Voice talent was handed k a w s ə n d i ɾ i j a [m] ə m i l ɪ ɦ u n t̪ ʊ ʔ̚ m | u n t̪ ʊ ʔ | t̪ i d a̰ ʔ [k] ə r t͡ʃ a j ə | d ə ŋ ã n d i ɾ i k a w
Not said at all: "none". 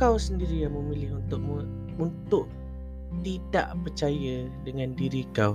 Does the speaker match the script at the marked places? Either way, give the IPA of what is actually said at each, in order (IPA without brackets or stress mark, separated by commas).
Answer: m, p